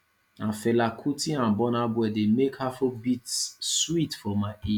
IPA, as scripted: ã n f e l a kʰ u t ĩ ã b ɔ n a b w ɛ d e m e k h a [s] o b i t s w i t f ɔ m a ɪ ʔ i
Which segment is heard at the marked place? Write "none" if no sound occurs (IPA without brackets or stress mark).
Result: f